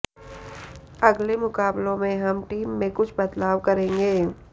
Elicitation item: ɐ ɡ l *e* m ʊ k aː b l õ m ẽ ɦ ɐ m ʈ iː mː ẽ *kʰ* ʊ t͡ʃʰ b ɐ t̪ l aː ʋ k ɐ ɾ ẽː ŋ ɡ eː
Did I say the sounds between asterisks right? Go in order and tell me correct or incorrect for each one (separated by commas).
correct, incorrect